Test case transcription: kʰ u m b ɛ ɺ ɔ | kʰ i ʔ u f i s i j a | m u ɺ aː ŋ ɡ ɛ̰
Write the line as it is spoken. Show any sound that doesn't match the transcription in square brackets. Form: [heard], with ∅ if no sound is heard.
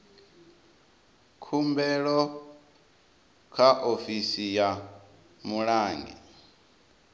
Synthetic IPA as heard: kʰ u m b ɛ ɺ ɔ | kʰ [a] ʔ [o] f i s i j a | m u ɺ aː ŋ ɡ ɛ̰